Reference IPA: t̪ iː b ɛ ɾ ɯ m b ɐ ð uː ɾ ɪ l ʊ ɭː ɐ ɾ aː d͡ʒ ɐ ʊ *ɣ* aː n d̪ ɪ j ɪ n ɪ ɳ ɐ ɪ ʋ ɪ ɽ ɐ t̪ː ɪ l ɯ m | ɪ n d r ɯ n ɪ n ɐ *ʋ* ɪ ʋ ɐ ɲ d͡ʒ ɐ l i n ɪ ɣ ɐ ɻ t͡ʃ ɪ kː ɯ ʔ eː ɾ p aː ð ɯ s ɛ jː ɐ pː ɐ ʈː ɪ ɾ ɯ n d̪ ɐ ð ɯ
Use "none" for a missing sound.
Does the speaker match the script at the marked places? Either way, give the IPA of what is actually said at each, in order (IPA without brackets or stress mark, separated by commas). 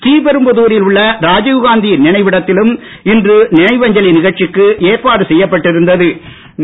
ɣ, none